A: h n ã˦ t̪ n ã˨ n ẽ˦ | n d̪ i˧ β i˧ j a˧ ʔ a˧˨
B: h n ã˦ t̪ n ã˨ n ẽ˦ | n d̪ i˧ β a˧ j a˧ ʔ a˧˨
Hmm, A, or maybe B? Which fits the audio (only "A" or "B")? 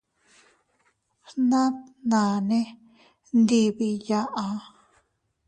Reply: A